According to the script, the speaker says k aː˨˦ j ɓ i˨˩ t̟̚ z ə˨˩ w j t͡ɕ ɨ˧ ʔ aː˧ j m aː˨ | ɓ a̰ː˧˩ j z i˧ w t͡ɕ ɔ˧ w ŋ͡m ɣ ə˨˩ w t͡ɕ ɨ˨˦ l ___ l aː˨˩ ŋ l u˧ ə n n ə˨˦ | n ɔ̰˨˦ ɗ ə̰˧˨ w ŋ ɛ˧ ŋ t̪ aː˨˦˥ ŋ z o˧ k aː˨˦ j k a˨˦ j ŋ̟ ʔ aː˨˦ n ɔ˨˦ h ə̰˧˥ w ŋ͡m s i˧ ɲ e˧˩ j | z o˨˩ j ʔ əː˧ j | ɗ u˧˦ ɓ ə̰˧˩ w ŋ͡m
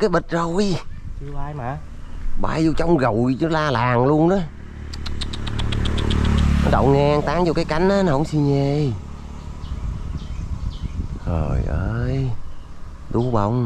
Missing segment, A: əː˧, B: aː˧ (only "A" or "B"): B